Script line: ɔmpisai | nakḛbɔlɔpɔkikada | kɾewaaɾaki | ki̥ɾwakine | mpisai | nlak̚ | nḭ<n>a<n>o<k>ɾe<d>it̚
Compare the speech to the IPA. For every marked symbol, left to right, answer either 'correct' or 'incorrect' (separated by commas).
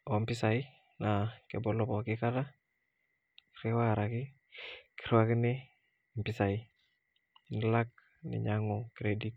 incorrect, incorrect, correct, correct